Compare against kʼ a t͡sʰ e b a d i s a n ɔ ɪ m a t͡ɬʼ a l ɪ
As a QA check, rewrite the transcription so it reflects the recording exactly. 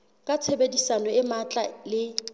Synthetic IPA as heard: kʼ a t͡sʰ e b e d i s a n ɔ ɪ m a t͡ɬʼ a l ɪ